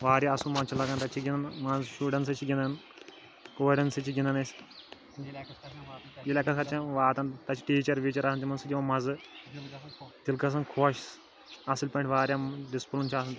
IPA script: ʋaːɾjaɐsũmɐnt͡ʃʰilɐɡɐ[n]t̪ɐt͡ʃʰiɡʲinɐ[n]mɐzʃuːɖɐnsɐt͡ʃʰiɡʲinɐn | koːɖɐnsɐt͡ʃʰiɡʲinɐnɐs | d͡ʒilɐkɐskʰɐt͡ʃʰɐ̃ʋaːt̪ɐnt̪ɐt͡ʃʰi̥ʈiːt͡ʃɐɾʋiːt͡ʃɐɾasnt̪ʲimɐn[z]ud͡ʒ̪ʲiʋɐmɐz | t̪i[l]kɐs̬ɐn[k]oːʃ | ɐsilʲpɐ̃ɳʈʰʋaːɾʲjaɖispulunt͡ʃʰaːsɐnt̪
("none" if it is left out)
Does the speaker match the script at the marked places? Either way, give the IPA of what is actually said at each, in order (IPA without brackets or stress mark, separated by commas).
n, n, s, l, kʰ